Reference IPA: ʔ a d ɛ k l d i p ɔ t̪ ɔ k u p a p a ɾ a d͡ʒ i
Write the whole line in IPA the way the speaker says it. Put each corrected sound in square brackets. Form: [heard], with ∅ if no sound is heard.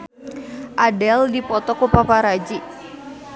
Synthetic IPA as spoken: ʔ a d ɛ [∅] l d i p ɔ t̪ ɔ k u p a p a ɾ a d͡ʒ i

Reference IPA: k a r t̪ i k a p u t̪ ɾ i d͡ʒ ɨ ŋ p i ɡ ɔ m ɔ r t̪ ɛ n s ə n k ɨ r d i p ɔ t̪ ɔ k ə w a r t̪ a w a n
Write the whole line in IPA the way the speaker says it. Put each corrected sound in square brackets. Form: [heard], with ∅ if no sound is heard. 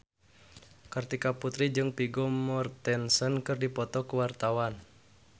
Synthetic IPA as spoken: k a r t̪ i k a p u t̪ ɾ i d͡ʒ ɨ ŋ p i ɡ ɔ m ɔ r t̪ ɛ n s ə n k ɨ r d i p ɔ t̪ ɔ k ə w a r t̪ a w a n

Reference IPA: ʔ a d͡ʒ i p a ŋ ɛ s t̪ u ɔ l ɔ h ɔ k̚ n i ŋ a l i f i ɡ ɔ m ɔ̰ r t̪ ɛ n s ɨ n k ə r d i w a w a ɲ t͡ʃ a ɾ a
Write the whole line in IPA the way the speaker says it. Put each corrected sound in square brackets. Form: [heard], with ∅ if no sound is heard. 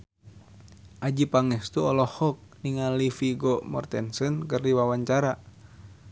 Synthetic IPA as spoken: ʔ a d͡ʒ i p a ŋ ɛ s t̪ u ɔ l ɔ h ɔ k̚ n i ŋ a l i f i ɡ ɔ m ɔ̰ r t̪ ɛ n s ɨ n k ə r d i w a w a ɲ t͡ʃ a ɾ a

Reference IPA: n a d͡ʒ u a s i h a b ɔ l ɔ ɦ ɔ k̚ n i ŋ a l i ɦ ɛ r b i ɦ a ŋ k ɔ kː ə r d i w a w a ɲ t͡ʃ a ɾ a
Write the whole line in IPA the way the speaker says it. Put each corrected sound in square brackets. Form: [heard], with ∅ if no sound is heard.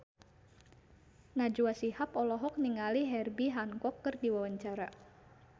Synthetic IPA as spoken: n a d͡ʒ u a s i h a [p] ɔ l ɔ ɦ ɔ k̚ n i ŋ a l i ɦ ɛ r b i ɦ a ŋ k ɔ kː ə r d i w a w a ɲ t͡ʃ a ɾ a

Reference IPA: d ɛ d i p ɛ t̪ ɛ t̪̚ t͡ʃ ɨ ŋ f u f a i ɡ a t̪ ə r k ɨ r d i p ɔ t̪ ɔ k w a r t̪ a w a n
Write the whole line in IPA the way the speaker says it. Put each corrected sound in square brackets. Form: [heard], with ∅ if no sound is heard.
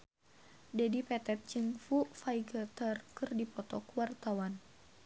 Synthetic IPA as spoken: d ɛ d i p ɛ t̪ ɛ t̪̚ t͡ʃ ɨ ŋ f u f a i ɡ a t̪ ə r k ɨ r d i p ɔ t̪ ɔ k w a r t̪ a w a n

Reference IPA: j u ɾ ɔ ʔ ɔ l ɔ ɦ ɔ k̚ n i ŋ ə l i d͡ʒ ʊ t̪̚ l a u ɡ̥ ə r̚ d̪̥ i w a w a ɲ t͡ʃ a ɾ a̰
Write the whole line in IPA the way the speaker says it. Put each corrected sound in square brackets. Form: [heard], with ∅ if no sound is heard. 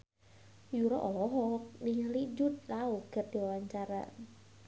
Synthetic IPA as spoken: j u ɾ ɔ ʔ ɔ l ɔ ɦ ɔ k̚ n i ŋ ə l i d͡ʒ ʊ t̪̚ l a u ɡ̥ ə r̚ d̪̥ i w a w a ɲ t͡ʃ a ɾ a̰

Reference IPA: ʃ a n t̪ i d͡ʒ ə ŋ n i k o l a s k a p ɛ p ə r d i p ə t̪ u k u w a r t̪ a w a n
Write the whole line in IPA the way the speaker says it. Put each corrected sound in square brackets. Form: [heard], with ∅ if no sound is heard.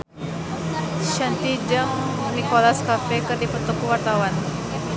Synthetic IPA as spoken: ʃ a n t̪ i d͡ʒ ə ŋ n i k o l a s k a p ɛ [k] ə r d i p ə t̪ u k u w a r t̪ a w a n

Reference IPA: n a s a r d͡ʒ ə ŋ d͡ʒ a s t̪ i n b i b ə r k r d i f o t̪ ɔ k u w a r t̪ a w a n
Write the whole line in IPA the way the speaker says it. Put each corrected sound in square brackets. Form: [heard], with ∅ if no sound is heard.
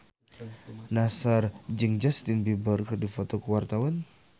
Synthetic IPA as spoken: n a s a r d͡ʒ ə ŋ d͡ʒ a s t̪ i n b i b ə r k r d i f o t̪ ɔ k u w a r t̪ a w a n

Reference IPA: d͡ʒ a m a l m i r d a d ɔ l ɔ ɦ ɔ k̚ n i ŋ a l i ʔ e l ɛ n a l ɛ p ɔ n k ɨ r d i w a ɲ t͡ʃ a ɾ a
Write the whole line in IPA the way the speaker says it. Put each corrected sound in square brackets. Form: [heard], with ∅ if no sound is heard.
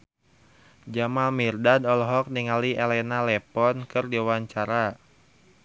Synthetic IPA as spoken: d͡ʒ a m a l m i r d a d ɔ l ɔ ɦ ɔ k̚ n i ŋ a l i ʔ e l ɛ n a l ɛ p ɔ n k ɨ r d i w a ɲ t͡ʃ a ɾ a

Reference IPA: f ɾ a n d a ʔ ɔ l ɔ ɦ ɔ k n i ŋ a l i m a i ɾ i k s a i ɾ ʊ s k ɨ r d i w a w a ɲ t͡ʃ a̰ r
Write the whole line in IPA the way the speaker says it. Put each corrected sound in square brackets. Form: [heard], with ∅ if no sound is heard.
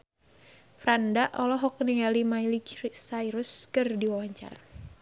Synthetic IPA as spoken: f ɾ a n d a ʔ ɔ l ɔ ɦ ɔ k n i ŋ a l i m a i [l] i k s a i ɾ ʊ s k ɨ r d i w a w a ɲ t͡ʃ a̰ r

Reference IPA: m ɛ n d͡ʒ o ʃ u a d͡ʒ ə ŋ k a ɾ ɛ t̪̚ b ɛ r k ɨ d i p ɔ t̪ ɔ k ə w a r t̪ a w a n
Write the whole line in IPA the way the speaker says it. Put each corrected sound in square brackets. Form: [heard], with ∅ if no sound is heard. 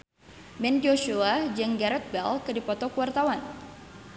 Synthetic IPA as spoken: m ɛ n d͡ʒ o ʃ u a d͡ʒ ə ŋ [ɡ] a ɾ ɛ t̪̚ b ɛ [l] k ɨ d i p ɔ t̪ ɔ k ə w a r t̪ a w a n

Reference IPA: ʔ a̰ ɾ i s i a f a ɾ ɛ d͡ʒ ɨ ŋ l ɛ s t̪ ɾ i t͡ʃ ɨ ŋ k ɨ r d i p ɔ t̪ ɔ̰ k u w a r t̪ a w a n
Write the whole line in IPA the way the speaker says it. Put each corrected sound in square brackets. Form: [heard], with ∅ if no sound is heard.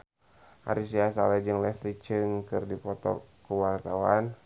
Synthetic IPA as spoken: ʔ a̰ ɾ i s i a [s] a [l] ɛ d͡ʒ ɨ ŋ l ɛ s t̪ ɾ i t͡ʃ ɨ ŋ k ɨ r d i p ɔ t̪ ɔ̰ k u w a r t̪ a w a n

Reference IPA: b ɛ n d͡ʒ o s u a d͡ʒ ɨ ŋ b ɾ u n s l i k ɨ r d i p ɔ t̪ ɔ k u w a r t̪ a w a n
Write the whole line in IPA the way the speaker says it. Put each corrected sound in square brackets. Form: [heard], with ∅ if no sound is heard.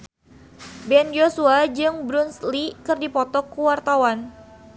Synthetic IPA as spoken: b ɛ n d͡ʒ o s u a d͡ʒ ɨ ŋ b ɾ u n s l i k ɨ r d i p ɔ t̪ ɔ k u w a r t̪ a w a n

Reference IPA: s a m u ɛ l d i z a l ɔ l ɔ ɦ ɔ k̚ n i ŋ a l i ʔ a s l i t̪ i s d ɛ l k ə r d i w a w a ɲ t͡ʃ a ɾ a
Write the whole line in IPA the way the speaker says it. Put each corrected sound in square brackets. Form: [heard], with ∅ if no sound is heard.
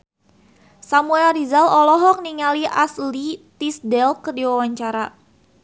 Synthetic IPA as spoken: s a m u ɛ l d i z a l ɔ l ɔ ɦ ɔ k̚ n i ŋ a l i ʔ a s l i t̪ i s d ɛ l k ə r d i w a w a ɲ t͡ʃ a ɾ a

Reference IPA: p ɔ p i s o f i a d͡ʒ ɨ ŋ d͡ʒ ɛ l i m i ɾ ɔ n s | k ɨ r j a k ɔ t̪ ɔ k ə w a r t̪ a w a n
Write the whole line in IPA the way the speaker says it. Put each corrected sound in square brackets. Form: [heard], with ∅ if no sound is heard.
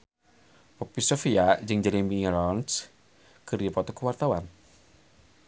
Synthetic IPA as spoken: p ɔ p i s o f i a d͡ʒ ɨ ŋ d͡ʒ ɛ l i m i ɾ ɔ n s | k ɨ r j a [p] ɔ t̪ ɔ k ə w a r t̪ a w a n

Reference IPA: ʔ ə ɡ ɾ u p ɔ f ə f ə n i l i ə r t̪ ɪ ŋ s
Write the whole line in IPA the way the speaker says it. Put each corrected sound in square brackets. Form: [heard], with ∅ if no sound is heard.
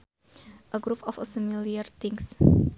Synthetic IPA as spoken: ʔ ə ɡ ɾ u p ɔ f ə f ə [m] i l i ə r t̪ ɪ ŋ s

